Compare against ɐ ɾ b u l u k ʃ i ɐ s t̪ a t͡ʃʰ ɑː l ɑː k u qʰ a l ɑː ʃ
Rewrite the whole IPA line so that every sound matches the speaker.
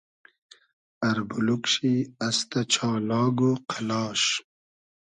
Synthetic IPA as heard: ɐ ɾ b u l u k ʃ i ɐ s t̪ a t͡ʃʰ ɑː l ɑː ɡ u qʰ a l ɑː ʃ